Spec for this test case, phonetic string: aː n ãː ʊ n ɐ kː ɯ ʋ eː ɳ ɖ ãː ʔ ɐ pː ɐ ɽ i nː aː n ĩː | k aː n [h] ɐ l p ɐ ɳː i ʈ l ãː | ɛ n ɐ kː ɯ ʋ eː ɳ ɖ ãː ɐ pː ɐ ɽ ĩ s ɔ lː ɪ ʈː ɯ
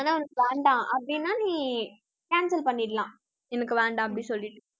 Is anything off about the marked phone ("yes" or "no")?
yes